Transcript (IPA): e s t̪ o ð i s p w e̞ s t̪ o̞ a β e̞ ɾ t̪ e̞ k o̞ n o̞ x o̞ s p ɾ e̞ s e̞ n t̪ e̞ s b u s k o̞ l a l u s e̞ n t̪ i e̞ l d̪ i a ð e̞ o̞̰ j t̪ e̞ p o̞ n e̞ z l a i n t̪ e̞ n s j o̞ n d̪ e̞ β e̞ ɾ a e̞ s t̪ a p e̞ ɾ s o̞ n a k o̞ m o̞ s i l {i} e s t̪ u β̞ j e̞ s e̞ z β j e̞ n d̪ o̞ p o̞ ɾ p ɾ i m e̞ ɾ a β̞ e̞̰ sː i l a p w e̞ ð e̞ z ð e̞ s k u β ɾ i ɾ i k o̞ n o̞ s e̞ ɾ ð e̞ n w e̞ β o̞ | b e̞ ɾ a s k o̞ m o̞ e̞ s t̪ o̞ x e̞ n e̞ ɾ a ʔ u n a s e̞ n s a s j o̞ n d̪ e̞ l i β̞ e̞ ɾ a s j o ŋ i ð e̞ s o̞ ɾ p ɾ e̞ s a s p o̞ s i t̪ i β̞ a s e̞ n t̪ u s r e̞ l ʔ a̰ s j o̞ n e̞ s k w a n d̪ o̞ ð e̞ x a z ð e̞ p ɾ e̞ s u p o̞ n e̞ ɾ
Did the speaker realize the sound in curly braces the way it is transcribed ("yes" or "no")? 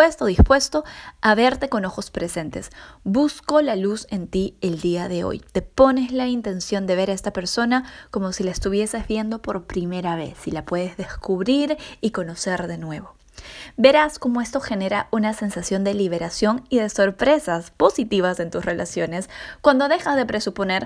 no